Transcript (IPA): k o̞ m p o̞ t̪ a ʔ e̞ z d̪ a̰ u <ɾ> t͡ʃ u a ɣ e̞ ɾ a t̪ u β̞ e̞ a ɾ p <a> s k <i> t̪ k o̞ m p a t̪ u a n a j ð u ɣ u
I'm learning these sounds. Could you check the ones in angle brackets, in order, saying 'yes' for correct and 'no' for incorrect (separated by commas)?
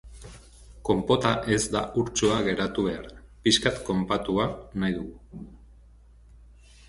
yes, no, no